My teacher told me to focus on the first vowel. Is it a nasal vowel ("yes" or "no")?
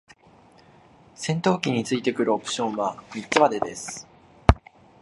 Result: yes